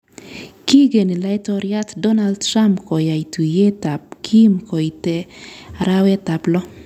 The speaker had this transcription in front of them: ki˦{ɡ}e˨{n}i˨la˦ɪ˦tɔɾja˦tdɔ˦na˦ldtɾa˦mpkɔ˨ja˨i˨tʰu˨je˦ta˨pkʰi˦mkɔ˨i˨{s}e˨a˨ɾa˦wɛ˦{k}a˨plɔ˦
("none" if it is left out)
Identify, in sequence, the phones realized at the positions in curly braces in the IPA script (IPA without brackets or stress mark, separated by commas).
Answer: ɡ, n, t, t